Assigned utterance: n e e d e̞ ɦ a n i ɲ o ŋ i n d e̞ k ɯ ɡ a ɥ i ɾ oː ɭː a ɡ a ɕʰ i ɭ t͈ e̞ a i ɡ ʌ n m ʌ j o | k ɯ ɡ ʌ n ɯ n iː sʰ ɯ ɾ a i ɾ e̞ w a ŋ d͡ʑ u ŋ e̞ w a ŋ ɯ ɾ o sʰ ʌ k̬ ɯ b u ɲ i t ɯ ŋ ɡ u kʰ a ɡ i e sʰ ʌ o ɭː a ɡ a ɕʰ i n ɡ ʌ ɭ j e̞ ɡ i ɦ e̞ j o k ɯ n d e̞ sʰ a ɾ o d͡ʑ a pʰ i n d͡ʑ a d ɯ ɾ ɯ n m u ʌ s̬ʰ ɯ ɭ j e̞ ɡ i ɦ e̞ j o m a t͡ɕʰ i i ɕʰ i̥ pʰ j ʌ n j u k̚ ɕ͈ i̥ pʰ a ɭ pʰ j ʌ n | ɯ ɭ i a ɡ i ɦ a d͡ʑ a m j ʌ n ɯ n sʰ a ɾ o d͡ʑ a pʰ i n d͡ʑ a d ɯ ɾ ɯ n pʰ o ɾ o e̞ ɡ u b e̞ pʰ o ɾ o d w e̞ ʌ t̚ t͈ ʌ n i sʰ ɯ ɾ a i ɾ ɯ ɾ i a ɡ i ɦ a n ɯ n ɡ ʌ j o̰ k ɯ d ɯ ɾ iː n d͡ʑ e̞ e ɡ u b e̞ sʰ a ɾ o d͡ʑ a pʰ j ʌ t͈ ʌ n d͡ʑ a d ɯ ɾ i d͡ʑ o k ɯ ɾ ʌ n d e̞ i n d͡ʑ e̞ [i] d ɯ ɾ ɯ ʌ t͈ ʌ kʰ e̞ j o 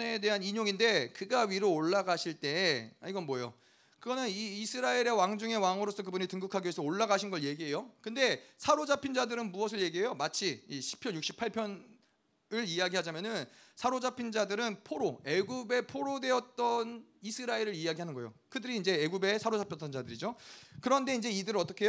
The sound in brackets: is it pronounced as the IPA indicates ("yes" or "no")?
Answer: yes